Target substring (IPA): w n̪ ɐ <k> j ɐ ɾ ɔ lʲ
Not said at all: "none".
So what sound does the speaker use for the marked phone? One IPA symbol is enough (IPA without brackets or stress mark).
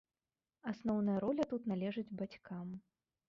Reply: none